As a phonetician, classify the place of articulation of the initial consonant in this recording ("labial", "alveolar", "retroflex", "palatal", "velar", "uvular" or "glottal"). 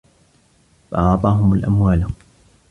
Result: labial